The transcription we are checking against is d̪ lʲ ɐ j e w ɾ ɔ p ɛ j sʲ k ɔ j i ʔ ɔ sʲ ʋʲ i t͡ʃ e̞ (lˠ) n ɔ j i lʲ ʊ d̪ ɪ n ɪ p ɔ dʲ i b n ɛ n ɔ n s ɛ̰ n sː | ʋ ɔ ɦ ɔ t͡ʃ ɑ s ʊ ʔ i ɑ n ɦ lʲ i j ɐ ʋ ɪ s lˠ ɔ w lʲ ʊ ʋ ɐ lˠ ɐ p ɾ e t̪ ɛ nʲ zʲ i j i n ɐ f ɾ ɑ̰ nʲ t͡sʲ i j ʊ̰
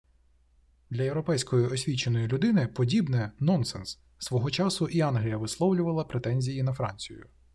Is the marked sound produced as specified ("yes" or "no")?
no